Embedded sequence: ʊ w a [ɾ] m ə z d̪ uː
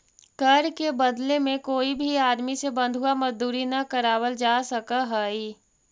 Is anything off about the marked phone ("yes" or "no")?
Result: yes